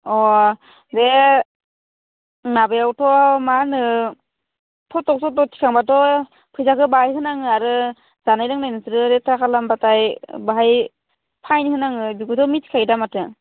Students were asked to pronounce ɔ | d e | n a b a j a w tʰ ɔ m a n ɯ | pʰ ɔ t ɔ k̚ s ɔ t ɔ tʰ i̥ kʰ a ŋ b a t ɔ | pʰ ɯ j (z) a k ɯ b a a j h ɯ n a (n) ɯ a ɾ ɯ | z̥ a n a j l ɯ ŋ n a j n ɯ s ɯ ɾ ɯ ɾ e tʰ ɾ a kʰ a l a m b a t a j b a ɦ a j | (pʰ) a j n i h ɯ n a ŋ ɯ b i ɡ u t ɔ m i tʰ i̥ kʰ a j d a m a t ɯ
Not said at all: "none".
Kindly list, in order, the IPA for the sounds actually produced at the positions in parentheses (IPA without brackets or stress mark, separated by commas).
z, ŋ, pʰ